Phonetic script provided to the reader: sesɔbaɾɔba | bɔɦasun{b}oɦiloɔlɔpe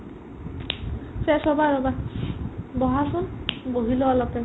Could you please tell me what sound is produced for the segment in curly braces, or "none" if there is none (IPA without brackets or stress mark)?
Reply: b